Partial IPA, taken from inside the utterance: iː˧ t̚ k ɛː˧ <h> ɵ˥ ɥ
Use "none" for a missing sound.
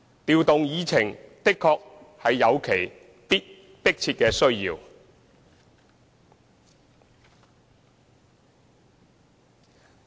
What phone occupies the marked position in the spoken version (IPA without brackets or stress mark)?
s